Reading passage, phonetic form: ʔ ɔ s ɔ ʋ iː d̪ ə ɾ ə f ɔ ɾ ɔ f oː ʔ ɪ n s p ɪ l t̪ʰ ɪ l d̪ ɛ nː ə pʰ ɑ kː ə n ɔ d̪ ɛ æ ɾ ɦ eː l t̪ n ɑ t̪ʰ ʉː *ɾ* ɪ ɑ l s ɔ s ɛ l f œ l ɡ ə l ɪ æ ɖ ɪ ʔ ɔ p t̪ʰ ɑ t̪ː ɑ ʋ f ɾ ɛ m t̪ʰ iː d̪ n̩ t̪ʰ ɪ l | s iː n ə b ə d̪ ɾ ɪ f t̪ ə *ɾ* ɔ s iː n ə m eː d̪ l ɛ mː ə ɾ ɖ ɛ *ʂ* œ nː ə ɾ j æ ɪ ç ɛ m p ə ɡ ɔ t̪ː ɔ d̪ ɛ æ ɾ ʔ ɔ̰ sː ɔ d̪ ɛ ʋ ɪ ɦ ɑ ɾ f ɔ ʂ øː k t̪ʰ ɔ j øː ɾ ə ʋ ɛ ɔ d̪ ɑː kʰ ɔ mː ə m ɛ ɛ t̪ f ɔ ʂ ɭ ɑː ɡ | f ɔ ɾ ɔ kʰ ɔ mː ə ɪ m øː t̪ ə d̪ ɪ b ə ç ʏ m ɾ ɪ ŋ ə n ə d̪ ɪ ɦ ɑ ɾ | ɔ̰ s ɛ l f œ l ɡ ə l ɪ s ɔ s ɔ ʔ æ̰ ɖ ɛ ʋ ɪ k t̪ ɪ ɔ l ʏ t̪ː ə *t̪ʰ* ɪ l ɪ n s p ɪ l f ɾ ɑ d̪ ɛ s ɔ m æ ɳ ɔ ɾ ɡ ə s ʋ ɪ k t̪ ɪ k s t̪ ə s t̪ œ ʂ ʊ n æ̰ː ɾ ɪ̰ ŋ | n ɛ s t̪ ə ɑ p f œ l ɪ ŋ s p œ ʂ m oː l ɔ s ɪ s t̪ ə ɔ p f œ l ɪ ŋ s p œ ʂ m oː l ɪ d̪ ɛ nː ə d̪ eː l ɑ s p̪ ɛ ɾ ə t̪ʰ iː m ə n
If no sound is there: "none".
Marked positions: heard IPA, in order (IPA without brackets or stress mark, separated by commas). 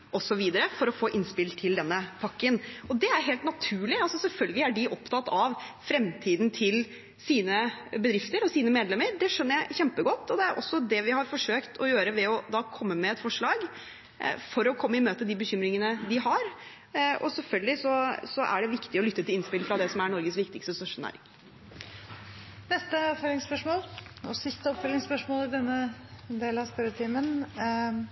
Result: ɭ, ɾ, ʂ, t̪